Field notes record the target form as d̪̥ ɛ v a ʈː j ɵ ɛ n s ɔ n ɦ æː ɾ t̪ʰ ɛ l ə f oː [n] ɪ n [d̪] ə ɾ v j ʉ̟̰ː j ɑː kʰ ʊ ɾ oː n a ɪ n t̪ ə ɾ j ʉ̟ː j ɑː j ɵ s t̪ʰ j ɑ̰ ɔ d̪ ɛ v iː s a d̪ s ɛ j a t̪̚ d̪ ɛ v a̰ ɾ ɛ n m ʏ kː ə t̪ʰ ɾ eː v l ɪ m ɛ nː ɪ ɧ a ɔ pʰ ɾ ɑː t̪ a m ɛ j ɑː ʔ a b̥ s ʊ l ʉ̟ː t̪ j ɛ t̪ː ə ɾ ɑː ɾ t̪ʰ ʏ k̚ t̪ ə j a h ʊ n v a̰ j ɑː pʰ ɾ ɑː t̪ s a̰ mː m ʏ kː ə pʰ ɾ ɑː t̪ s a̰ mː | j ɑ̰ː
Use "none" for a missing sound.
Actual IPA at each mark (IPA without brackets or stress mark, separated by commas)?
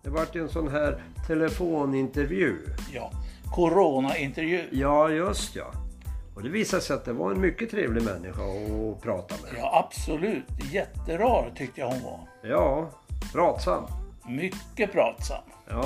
n, t̪